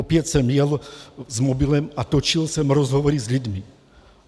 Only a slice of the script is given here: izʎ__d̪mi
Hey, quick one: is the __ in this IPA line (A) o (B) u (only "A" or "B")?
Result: B